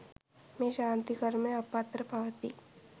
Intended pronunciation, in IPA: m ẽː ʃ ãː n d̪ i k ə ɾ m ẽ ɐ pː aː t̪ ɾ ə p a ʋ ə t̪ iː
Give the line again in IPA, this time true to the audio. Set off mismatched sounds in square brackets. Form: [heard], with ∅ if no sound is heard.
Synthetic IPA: m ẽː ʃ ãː n [t̪] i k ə ɾ m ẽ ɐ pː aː t̪ ɾ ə p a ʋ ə t̪ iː